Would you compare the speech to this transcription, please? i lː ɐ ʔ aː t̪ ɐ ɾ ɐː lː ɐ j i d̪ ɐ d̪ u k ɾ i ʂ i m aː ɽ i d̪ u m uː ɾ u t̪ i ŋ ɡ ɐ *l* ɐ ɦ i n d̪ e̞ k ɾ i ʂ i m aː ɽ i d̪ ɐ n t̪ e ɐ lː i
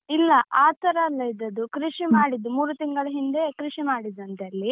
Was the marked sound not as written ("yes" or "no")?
yes